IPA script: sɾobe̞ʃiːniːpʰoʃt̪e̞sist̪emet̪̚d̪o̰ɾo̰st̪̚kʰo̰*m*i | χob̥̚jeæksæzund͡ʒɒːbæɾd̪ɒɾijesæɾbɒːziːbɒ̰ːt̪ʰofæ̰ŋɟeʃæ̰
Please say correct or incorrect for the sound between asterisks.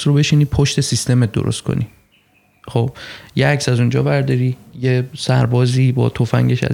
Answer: incorrect